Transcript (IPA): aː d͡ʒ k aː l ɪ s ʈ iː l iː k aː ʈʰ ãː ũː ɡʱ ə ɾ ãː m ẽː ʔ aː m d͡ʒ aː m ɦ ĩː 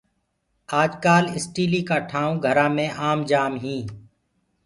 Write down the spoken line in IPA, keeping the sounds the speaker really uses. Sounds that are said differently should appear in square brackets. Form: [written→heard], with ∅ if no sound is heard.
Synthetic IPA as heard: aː d͡ʒ k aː l ɪ s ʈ iː l iː k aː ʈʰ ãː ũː ɡʱ ə ɾ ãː m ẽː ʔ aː m d͡ʒ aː m ɦ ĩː